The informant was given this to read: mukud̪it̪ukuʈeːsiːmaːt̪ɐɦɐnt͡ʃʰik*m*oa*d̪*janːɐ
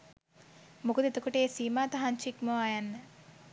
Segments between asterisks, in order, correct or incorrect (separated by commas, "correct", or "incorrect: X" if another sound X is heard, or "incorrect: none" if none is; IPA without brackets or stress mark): correct, incorrect: none